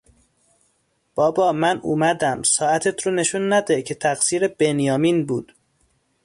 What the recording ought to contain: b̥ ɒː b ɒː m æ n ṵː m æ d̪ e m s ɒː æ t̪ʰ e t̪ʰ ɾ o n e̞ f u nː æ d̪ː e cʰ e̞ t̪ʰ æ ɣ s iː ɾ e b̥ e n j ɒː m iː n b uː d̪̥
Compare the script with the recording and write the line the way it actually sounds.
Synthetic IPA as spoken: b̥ ɒː b ɒː m æ n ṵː m æ d̪ æ m s ɒː æ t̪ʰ e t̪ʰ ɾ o n e̞ ʃ u nː æ d̪ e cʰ e̞ t̪ʰ æ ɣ s iː ɾ e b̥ e n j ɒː m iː n b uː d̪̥